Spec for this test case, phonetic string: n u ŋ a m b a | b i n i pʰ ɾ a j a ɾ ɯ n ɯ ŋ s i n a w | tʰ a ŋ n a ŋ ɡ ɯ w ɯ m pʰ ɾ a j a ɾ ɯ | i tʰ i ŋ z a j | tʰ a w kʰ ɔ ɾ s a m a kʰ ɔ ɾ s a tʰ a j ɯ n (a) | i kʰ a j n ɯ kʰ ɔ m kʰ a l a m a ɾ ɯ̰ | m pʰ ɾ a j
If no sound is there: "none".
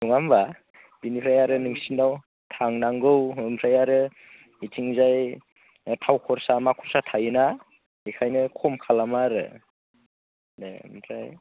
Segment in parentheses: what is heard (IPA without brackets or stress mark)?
a